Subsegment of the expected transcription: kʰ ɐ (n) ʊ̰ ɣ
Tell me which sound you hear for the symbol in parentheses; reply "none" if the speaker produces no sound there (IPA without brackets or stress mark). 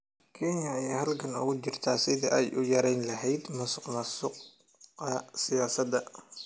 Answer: n